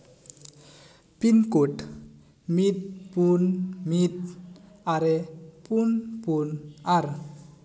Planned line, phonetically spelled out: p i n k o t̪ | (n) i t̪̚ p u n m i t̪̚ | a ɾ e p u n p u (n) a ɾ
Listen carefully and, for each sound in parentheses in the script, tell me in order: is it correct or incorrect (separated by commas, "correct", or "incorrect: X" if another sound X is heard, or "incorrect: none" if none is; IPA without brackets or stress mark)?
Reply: incorrect: m, correct